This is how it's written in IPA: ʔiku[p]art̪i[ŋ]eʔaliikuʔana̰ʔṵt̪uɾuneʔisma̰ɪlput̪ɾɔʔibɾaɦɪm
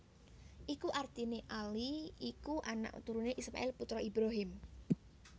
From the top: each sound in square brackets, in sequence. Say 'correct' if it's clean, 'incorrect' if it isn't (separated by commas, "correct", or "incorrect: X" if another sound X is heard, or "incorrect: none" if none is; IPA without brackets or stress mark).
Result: incorrect: ʔ, incorrect: n